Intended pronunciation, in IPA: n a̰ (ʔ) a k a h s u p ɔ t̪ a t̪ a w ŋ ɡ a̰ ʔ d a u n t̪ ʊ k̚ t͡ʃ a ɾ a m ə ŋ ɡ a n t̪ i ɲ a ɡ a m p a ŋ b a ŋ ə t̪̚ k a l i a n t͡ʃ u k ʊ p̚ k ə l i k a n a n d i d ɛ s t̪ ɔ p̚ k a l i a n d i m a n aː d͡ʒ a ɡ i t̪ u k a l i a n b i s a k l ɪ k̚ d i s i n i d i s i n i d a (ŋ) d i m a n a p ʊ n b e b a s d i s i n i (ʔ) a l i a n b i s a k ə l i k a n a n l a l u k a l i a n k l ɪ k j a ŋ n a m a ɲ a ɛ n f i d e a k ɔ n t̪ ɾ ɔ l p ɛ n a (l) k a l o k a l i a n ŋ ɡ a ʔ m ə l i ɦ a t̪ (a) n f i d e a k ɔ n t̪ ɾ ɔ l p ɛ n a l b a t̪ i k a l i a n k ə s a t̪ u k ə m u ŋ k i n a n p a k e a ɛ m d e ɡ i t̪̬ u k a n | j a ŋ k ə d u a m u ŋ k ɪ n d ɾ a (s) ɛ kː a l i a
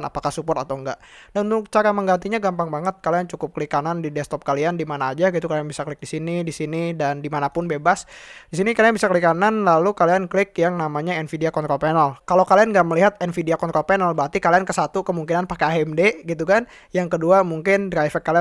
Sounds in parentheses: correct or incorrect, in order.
incorrect: p, incorrect: n, incorrect: k, correct, incorrect: ɛ, incorrect: f

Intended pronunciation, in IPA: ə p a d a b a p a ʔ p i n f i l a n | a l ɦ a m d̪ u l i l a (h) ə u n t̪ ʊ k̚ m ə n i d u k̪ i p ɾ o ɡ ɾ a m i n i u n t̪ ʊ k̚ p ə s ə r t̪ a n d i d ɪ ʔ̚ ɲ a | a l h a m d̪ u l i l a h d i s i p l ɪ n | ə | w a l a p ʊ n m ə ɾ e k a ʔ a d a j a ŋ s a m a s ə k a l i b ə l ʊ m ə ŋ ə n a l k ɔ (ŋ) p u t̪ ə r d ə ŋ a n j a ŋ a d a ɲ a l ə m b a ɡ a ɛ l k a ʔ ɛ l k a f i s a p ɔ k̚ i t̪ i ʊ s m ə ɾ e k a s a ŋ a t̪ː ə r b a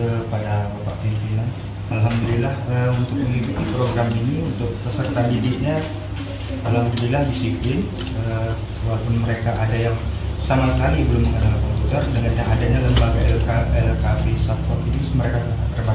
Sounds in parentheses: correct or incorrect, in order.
correct, incorrect: m

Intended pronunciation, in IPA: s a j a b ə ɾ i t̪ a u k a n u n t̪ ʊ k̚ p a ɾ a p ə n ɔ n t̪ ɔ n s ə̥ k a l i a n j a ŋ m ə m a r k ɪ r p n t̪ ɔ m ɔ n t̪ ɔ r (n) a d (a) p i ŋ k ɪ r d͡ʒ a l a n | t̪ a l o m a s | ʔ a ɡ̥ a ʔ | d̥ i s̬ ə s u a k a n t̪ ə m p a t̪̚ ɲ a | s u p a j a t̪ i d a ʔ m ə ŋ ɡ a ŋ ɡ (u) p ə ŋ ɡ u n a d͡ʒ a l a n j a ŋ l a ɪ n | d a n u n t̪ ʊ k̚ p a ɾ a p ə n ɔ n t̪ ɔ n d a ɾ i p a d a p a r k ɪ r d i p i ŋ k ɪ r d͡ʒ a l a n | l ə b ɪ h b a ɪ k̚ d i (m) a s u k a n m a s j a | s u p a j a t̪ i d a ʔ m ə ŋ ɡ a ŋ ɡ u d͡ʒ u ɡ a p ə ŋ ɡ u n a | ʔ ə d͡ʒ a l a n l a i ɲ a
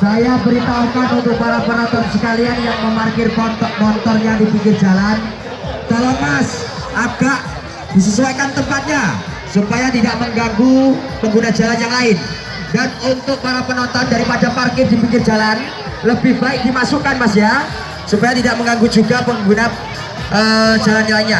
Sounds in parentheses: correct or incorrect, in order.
incorrect: ɲ, incorrect: i, correct, correct

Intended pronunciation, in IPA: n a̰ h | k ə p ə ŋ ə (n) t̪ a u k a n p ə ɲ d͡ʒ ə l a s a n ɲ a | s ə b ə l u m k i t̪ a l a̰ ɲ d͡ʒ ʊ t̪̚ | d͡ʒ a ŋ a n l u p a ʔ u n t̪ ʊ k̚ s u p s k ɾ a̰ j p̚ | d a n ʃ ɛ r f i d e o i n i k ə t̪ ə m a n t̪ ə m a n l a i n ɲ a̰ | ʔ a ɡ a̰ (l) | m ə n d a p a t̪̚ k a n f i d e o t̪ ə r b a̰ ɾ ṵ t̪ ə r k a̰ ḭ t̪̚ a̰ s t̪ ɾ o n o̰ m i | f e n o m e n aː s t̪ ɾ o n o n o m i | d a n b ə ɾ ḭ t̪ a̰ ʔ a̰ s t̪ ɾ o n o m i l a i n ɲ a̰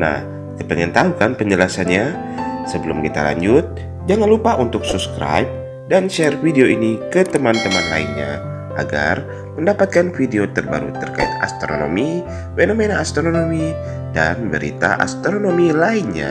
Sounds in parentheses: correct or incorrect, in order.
correct, incorrect: r

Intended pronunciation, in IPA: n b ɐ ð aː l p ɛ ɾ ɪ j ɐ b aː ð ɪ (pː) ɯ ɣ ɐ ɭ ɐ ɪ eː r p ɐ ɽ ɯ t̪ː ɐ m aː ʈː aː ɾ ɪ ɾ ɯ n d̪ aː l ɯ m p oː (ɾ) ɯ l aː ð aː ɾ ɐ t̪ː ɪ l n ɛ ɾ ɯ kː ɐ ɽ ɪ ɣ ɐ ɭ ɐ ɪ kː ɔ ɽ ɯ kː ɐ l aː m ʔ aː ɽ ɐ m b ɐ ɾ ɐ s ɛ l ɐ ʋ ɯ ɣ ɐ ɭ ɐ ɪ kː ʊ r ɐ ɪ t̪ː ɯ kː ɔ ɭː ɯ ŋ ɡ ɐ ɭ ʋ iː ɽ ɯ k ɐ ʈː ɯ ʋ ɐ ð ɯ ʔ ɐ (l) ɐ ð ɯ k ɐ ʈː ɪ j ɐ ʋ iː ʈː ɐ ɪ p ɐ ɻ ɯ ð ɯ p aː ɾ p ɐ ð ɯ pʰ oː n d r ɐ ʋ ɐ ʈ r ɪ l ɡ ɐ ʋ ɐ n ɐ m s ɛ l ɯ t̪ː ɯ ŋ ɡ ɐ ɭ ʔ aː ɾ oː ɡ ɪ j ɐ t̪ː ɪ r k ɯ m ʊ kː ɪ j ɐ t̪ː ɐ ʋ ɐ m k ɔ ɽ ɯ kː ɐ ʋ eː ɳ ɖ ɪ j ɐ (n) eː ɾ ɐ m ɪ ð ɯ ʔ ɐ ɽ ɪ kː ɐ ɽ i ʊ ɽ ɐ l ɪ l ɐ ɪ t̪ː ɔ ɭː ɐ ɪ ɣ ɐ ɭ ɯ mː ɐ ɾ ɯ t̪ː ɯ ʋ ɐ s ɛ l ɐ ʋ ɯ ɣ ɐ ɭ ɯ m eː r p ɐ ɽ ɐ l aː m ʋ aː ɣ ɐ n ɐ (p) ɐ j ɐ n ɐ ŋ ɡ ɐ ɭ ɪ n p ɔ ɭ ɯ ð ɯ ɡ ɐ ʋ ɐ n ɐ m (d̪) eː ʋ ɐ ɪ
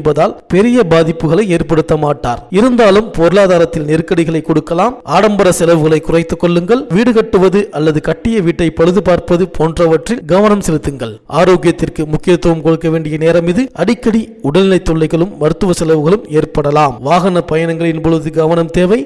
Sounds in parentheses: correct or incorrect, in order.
correct, correct, incorrect: lː, correct, correct, incorrect: t̪

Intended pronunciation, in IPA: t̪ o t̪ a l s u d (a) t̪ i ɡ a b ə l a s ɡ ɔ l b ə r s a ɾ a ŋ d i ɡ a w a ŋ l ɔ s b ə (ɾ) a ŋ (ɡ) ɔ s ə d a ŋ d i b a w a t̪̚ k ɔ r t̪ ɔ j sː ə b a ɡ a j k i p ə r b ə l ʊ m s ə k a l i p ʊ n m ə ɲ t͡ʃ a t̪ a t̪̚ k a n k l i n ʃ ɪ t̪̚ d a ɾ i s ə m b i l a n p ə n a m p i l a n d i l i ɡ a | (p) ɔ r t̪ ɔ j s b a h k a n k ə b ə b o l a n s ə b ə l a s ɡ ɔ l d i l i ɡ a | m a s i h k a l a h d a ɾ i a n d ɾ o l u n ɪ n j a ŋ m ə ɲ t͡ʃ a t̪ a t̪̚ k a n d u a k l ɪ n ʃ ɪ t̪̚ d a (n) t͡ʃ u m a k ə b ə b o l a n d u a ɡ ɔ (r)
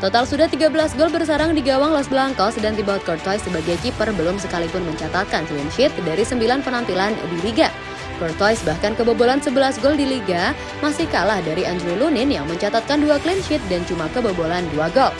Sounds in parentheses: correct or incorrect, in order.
correct, incorrect: l, incorrect: k, incorrect: k, correct, incorrect: l

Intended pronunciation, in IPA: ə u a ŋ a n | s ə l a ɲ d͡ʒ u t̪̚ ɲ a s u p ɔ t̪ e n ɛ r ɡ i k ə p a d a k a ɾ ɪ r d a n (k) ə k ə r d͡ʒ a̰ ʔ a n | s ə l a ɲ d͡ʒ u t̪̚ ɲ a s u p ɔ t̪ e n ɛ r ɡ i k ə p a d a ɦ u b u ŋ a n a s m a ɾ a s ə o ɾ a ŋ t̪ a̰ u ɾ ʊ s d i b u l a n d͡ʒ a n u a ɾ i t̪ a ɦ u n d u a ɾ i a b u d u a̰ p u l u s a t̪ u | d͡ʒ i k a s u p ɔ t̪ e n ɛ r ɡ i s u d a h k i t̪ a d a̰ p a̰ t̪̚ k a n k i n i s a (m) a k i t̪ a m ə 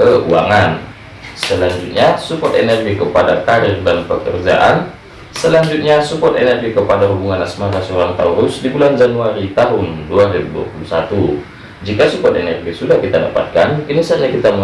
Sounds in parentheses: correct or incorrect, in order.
incorrect: p, incorrect: ɲ

